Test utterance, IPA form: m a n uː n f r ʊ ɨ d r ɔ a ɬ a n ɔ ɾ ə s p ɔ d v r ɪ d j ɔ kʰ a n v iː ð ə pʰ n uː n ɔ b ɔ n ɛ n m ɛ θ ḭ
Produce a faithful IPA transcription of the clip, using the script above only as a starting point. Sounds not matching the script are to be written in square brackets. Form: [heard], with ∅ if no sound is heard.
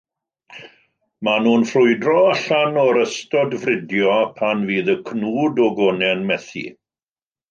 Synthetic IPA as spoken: m a n uː n f r ʊ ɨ d r ɔ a ɬ a n ɔ ɾ ə s [t] ɔ d v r ɪ d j ɔ [pʰ] a n v iː ð ə [kʰ] n uː [d] ɔ [ɡ] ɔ n ɛ n m ɛ θ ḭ